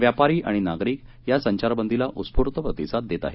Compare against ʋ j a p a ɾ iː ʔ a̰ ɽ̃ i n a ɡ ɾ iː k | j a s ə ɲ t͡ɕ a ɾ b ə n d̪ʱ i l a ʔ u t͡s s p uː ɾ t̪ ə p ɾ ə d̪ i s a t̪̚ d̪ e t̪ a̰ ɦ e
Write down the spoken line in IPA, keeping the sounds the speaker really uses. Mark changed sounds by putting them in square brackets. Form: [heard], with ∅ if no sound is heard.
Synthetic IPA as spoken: ʋ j a p a ɾ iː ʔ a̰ ɽ̃ i n a ɡ ɾ iː k | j a s ə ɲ t͡ɕ a ɾ b ə n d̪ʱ i l a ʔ u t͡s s p [u] ɾ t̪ ə p ɾ ə [t̪] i s a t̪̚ d̪ e t̪ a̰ ɦ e